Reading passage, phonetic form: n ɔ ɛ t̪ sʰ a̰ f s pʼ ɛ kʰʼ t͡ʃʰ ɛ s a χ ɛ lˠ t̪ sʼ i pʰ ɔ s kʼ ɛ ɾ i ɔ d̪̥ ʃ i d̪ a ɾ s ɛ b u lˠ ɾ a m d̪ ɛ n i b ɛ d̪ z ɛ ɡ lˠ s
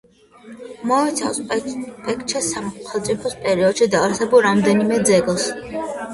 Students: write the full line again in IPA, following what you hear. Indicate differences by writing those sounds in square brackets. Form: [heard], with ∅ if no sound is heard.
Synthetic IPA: [m] ɔ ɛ t̪ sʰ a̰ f s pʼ ɛ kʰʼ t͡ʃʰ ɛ s a χ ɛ lˠ t̪ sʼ i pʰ ɔ s [pʼ] ɛ ɾ i ɔ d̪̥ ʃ i d̪ a ɾ s ɛ b u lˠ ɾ a m d̪ ɛ n i [m] ɛ d̪ z ɛ ɡ lˠ s